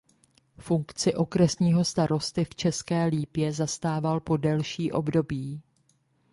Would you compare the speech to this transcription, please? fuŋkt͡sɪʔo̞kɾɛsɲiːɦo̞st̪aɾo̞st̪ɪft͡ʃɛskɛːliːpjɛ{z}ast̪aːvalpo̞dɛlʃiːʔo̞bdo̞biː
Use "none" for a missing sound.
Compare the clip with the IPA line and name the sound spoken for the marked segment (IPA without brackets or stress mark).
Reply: z